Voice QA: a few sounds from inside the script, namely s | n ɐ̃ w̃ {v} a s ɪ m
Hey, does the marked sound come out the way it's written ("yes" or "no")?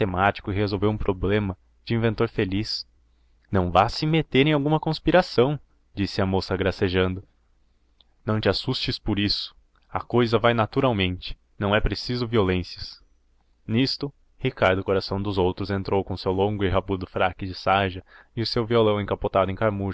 yes